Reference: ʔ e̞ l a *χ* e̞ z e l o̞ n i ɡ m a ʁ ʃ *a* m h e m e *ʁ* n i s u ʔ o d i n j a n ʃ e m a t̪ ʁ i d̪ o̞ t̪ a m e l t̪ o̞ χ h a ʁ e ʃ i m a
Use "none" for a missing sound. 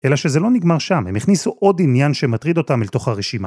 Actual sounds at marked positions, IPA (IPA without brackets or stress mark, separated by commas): ʃ, a, χ